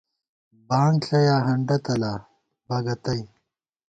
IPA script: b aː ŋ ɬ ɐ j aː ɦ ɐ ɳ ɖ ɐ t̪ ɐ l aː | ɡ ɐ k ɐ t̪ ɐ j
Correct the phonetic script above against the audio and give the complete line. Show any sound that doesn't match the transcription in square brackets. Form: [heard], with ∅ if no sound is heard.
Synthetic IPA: b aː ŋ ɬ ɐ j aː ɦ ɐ ɳ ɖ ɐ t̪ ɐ l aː | [b] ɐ [ɡ] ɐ t̪ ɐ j